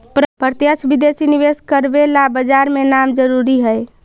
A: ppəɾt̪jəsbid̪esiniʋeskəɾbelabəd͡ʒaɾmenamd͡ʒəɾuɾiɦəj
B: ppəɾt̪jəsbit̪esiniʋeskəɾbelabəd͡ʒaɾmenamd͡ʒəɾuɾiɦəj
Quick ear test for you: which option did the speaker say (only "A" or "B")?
A